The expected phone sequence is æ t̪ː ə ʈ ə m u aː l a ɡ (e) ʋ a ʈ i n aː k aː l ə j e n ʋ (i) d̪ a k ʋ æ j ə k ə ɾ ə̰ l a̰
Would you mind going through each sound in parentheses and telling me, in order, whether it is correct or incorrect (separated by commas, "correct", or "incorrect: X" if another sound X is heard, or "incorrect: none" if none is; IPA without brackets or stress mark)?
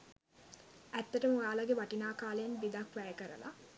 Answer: correct, correct